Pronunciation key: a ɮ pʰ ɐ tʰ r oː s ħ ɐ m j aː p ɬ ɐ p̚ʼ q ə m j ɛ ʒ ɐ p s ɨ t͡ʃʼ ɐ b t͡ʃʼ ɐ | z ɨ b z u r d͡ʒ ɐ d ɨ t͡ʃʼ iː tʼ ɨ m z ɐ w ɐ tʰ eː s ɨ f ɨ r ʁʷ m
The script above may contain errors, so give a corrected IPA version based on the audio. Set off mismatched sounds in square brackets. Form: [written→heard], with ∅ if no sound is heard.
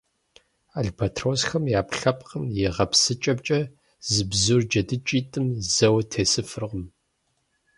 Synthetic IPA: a ɮ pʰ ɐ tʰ r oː s [ħ→x] ɐ m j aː p ɬ ɐ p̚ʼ q ə m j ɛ [ʒ→ʁ] ɐ p s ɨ t͡ʃʼ ɐ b t͡ʃʼ ɐ | z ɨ b z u r d͡ʒ ɐ d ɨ t͡ʃʼ iː tʼ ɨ m z ɐ w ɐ tʰ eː s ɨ f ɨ r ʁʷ m